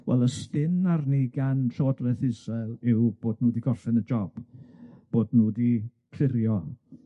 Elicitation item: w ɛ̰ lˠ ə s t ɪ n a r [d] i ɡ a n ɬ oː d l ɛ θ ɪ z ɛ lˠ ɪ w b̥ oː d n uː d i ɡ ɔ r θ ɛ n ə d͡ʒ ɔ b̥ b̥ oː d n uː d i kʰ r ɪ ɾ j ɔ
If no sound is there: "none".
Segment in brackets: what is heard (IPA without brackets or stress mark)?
n